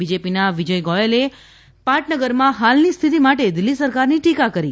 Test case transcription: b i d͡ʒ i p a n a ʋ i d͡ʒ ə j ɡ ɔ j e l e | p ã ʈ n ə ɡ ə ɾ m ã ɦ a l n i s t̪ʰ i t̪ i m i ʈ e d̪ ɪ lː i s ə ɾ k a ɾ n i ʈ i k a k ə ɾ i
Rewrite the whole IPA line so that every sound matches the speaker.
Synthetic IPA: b i d͡ʒ e p i n a ʋ i d͡ʒ ə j ɡ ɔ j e l e | p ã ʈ n ə ɡ ə ɾ m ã ɦ a l n i s t̪ʰ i t̪ i m a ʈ e d̪ ɪ lː i s ə ɾ k a ɾ n i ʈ i k a k ə ɾ i